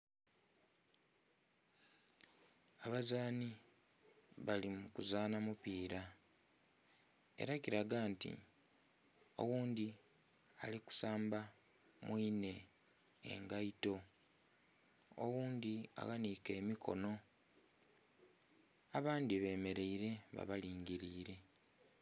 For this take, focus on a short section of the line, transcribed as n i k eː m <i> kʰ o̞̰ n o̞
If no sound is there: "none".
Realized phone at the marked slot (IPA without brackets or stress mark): i